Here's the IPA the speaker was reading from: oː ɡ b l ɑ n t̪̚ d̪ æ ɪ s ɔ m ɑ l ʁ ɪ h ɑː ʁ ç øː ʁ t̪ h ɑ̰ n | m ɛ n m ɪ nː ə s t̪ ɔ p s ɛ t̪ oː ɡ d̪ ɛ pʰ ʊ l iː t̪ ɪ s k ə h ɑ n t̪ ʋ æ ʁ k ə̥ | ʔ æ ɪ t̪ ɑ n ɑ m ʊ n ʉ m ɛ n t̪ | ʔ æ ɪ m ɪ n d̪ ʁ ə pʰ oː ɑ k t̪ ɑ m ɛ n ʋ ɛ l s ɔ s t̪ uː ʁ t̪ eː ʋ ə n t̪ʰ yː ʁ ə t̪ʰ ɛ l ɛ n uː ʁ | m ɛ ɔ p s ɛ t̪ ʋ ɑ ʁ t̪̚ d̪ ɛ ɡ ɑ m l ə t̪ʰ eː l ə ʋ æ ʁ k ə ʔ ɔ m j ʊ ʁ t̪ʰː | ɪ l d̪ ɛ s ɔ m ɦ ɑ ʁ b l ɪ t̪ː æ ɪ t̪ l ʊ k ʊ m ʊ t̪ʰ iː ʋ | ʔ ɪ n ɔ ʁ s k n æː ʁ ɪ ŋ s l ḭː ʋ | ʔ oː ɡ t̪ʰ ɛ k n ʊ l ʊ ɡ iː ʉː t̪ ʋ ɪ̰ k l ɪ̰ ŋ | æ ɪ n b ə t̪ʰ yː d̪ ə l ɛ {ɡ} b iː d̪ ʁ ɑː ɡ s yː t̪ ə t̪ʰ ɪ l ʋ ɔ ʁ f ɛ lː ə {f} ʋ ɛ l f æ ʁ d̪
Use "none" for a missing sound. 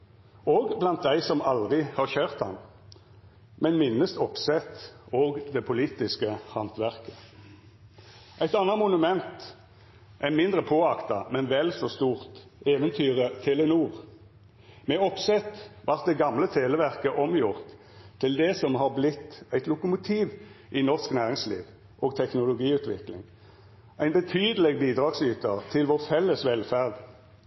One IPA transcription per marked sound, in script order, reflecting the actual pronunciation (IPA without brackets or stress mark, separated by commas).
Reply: ɡ, s